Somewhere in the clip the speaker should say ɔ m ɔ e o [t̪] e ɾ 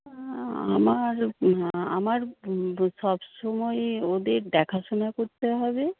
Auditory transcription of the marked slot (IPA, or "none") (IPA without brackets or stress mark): d̪